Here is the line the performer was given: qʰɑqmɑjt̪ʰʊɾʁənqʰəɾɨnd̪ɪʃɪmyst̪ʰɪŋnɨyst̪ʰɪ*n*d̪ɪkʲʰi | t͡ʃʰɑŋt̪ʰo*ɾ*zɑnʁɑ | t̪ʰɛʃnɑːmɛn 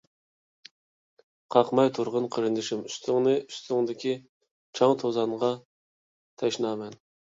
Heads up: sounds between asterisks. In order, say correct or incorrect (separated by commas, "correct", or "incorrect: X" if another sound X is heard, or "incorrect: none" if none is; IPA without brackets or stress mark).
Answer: incorrect: ŋ, incorrect: none